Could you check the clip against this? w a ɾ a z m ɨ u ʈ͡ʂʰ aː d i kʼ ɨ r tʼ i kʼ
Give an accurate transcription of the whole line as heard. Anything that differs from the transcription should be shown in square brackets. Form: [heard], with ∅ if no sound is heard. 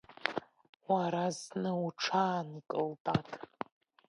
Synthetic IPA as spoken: w a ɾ a z [n] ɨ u ʈ͡ʂʰ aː [n] i kʼ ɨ [l] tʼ [a] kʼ